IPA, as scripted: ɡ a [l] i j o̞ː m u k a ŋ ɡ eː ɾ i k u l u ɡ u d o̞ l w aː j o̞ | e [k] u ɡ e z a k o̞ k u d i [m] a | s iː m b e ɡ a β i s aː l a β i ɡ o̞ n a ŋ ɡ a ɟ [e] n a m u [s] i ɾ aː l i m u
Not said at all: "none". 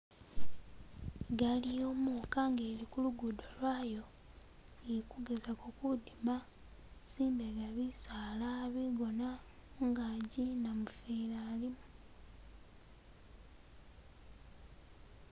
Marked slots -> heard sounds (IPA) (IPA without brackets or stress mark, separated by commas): l, k, m, i, f